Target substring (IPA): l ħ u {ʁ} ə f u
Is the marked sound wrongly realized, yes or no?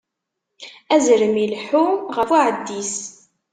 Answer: no